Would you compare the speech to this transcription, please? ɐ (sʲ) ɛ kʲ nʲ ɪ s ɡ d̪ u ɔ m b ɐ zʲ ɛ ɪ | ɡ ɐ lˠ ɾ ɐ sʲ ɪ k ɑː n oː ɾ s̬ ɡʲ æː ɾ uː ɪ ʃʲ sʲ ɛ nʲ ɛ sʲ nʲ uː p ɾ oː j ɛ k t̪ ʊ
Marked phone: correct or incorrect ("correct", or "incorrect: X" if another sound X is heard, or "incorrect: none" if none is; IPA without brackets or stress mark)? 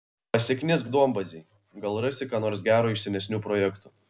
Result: correct